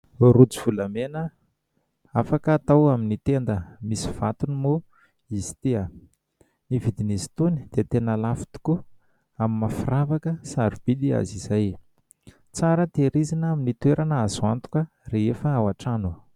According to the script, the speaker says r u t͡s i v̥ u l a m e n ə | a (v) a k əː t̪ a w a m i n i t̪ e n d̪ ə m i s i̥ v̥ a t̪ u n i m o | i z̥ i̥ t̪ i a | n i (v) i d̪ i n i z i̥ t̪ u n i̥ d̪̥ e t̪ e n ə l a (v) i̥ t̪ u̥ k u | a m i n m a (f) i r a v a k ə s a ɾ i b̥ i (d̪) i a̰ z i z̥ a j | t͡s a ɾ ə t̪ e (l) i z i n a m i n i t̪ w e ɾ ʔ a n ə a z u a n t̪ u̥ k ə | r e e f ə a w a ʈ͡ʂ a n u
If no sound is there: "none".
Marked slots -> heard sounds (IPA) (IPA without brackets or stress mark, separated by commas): f, v, f, f, d̪, ɾ